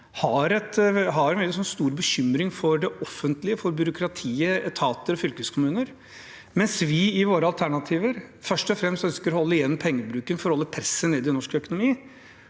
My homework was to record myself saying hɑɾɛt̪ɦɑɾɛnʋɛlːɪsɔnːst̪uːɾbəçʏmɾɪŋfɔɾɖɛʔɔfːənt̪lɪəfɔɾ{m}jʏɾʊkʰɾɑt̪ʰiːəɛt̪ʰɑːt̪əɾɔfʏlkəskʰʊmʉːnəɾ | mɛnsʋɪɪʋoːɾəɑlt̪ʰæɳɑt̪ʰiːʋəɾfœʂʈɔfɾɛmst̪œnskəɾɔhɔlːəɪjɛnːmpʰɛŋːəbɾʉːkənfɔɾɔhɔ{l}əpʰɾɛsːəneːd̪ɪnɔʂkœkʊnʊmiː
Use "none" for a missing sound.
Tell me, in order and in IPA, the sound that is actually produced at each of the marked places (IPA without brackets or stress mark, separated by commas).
b, lː